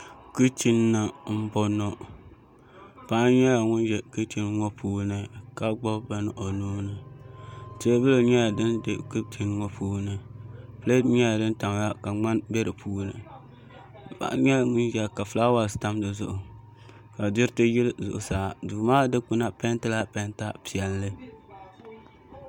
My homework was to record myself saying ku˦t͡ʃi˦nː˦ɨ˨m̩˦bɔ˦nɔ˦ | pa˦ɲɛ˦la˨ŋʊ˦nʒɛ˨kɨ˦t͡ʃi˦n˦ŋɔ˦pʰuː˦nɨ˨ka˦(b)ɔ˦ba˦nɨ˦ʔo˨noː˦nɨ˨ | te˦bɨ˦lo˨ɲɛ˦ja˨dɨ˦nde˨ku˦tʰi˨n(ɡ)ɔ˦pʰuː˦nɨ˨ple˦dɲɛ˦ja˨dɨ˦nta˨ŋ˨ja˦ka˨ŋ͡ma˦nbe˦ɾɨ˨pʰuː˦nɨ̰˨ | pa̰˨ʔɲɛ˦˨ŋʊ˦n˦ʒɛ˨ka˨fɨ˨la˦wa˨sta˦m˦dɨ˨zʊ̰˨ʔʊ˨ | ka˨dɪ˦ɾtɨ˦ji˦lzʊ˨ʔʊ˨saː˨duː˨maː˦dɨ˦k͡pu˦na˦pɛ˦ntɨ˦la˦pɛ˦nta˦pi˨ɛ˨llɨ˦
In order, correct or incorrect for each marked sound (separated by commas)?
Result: incorrect, incorrect